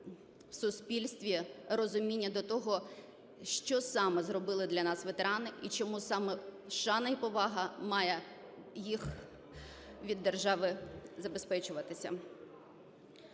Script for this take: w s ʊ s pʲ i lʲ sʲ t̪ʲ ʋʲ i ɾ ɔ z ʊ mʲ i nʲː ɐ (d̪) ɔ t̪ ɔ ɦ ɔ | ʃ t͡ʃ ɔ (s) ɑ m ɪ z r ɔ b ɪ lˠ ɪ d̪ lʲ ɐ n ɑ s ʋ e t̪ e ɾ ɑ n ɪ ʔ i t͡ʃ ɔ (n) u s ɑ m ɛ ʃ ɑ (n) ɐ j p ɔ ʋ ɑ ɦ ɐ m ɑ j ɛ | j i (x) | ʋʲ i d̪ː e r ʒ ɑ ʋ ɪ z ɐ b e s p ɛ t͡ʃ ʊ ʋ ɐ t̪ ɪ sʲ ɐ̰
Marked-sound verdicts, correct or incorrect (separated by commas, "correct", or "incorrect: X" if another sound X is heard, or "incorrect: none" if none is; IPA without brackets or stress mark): correct, correct, incorrect: m, correct, correct